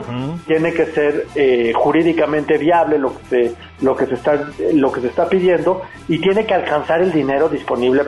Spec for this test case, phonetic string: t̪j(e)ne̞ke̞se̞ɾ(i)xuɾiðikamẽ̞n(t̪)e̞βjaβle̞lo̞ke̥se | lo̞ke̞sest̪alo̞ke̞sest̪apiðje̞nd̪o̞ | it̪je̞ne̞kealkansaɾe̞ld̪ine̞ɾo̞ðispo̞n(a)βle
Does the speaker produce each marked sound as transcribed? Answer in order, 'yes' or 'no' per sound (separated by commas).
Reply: yes, no, yes, no